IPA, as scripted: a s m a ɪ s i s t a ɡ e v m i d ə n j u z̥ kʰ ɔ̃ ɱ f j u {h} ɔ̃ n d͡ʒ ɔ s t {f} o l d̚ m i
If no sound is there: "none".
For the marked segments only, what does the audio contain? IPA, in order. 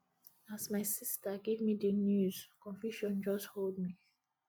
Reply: ʃ, h

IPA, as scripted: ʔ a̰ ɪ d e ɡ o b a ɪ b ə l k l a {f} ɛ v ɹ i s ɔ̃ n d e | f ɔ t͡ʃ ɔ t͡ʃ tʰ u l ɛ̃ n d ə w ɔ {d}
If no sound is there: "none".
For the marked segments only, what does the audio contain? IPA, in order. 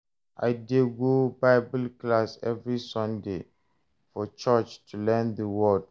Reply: s, d

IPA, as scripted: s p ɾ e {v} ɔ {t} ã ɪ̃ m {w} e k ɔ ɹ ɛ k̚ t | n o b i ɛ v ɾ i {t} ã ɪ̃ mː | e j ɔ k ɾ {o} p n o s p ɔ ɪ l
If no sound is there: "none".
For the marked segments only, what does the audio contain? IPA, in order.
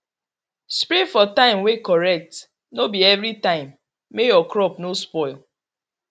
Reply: f, t, w, t, ɔ

